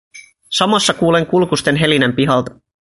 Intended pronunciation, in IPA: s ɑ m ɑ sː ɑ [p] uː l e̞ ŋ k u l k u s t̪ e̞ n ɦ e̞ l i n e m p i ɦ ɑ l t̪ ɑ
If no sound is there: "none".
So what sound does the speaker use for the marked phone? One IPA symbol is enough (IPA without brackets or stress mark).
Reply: k